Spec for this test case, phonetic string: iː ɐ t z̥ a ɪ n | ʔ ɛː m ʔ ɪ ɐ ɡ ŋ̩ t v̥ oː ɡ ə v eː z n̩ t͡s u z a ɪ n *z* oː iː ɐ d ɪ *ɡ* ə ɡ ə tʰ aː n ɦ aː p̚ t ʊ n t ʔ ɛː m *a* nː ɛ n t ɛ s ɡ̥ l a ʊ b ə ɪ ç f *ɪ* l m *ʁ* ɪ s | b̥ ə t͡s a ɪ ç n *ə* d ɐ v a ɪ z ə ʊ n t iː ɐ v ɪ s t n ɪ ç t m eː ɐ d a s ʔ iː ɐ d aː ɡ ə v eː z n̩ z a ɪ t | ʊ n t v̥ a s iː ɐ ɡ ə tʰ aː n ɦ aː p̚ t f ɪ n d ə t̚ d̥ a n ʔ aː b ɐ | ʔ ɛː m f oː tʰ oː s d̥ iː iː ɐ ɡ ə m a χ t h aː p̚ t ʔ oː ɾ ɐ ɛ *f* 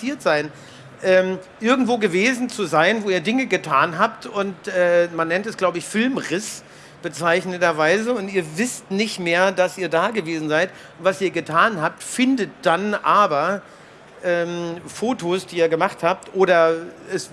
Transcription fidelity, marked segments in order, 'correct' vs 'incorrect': incorrect, incorrect, correct, correct, correct, correct, incorrect

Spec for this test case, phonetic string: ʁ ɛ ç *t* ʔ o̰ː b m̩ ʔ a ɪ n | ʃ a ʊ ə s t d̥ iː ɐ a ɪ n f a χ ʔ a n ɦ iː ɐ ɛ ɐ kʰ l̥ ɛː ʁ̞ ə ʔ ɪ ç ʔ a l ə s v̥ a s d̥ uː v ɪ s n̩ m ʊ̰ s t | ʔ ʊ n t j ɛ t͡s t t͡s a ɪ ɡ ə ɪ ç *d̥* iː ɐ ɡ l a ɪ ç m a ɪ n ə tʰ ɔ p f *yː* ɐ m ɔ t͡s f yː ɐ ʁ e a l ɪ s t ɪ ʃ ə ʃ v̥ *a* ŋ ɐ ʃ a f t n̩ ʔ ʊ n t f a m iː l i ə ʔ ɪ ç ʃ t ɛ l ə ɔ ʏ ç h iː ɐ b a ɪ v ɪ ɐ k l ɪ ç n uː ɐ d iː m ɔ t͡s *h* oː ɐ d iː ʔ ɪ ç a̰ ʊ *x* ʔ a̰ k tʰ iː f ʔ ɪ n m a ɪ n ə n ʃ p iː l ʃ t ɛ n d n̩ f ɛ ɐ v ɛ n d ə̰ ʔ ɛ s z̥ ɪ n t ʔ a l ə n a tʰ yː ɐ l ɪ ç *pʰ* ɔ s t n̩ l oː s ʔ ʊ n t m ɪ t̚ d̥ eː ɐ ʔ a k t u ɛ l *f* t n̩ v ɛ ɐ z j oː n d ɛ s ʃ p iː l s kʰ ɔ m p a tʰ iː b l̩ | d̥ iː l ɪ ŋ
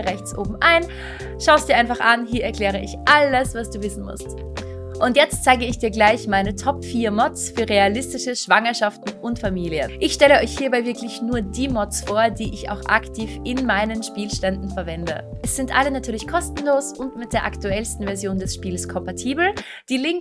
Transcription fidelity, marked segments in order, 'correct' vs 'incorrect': incorrect, correct, incorrect, correct, incorrect, correct, incorrect, incorrect

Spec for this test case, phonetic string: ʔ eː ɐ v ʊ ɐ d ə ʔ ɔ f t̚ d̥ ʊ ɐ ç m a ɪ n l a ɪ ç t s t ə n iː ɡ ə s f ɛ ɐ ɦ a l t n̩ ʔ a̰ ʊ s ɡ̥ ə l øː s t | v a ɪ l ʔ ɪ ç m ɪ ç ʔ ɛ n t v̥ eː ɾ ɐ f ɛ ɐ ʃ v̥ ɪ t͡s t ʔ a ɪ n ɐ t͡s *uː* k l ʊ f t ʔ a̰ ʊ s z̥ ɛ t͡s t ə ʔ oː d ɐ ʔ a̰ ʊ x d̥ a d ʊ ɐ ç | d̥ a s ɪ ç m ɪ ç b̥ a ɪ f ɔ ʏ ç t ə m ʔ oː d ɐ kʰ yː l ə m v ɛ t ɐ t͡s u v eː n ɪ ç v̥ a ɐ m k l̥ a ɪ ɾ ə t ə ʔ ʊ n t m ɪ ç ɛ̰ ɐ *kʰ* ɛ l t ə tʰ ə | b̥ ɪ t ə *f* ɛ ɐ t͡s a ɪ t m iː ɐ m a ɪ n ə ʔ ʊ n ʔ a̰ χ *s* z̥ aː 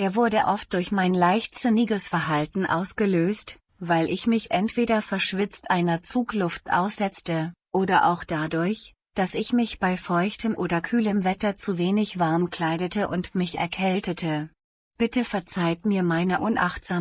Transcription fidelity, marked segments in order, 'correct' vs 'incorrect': correct, correct, correct, incorrect

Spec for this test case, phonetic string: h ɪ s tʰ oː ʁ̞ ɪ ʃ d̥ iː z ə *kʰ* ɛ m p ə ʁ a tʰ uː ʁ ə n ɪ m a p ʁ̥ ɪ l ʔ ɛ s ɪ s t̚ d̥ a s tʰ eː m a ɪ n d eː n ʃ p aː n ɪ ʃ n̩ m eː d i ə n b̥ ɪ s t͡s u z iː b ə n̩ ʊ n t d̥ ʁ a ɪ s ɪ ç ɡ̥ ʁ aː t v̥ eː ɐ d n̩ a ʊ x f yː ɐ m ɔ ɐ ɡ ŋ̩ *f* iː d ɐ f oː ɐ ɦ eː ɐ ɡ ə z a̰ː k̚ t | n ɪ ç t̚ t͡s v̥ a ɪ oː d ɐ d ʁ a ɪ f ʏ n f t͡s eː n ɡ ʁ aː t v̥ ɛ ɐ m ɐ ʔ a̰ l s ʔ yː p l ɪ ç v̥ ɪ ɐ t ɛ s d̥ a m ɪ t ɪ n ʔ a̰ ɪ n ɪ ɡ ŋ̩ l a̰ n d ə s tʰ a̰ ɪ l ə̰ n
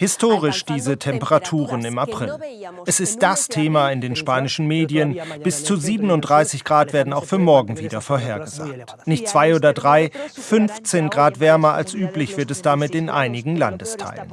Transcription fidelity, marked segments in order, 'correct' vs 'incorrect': incorrect, incorrect

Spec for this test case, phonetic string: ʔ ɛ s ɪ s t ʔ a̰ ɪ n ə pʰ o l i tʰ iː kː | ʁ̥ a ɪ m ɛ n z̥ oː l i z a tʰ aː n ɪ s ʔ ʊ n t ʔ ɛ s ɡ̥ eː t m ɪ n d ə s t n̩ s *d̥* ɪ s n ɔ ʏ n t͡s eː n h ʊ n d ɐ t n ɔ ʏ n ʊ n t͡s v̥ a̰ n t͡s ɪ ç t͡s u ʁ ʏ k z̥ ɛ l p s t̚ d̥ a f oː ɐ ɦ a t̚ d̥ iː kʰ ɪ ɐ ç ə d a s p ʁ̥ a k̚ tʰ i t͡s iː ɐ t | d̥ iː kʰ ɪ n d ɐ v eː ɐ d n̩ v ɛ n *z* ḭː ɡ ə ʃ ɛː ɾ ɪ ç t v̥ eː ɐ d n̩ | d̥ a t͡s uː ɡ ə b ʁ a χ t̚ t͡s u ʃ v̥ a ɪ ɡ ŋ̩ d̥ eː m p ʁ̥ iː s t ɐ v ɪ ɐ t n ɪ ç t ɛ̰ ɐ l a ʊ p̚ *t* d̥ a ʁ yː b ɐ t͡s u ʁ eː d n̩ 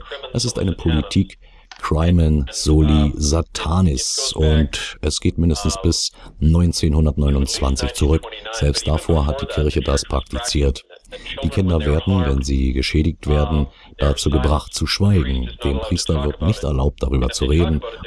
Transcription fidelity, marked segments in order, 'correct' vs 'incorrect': incorrect, correct, correct

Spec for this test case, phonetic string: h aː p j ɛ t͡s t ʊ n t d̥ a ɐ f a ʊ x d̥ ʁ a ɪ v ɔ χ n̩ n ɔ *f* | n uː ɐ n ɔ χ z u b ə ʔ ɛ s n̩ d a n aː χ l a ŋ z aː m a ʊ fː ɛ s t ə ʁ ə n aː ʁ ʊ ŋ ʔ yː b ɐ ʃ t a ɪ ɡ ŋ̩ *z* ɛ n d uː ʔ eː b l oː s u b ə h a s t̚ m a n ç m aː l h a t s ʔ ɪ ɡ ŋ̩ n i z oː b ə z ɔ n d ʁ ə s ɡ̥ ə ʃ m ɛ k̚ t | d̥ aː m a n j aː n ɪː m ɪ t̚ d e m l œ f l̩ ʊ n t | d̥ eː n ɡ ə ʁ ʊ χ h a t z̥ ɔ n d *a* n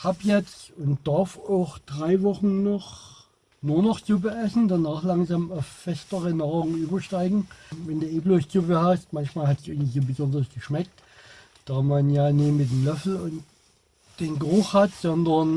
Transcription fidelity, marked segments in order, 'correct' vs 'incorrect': incorrect, incorrect, incorrect

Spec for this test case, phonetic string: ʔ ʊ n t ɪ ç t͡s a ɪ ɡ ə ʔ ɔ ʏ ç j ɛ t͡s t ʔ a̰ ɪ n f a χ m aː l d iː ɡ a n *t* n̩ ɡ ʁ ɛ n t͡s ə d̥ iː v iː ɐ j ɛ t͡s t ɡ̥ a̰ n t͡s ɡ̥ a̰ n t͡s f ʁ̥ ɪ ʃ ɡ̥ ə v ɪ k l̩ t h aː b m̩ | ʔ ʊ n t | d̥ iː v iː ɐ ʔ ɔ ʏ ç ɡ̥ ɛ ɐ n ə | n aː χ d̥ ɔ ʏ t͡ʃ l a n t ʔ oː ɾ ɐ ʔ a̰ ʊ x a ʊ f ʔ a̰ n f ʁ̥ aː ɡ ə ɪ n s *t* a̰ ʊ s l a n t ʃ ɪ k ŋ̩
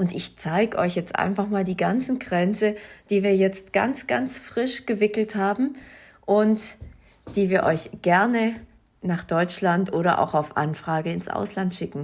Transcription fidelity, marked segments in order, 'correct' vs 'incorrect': incorrect, incorrect

